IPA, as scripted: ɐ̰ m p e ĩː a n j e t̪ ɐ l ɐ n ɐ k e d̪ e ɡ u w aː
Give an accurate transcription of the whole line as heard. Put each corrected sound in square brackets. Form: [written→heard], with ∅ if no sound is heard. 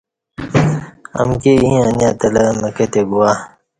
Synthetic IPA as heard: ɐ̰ m [p→k] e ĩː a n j [e→a] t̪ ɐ l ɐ [n→m] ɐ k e [d̪→t̪] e ɡ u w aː